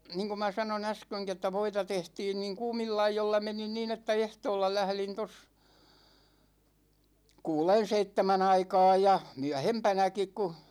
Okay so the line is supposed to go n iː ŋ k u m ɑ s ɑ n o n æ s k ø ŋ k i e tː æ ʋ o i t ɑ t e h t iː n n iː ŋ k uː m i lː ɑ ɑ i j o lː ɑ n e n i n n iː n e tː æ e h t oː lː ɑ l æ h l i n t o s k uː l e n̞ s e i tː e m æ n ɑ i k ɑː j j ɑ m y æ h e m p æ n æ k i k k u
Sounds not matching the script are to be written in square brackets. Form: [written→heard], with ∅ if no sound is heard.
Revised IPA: n iː ŋ k u m ɑ s ɑ n o n æ s k ø ŋ k i e tː æ ʋ o i t ɑ t e h t iː n n iː ŋ k uː m i lː ɑ ɑ i j o lː ɑ [n→m] e n i n n iː n e tː æ e h t oː lː ɑ l æ h l i n t o s k uː l e n̞ s e i tː e m æ n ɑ i k ɑː j j ɑ m y æ h e m p æ n æ k i k k u